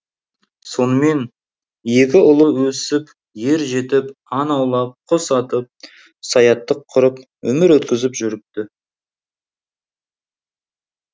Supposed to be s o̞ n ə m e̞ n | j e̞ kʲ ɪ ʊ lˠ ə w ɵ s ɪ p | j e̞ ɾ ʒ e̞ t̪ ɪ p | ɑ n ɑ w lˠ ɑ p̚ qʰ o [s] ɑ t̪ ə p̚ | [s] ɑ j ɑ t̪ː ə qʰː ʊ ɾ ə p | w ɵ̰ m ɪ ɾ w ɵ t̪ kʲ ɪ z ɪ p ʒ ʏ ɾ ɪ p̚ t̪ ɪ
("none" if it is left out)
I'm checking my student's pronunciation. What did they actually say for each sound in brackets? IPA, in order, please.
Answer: s, s

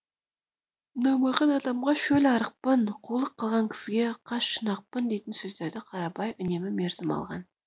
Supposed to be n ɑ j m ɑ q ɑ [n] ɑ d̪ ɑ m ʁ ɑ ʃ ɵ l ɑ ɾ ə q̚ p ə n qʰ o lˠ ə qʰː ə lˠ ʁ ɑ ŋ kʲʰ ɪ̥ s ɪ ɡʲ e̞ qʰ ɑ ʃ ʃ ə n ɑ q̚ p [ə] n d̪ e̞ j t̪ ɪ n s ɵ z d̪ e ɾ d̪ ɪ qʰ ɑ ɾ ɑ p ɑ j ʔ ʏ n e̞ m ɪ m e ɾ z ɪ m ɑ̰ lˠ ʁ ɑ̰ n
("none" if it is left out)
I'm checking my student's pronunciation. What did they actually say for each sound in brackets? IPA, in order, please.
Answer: n, ə

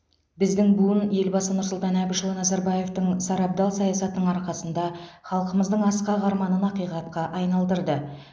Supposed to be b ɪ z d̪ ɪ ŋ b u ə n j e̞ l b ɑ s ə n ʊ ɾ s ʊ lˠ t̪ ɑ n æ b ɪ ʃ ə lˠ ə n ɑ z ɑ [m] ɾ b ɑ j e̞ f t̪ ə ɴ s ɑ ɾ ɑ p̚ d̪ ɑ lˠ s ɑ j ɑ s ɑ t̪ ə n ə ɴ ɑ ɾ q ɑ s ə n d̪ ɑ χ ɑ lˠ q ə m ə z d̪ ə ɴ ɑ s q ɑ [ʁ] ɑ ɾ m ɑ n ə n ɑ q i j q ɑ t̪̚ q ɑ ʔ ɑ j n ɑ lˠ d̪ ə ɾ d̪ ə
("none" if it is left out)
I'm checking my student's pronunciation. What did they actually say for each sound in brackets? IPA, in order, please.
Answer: none, ʁ

